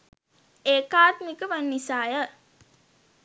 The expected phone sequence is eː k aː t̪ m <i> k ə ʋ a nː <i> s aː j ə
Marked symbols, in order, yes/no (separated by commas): yes, yes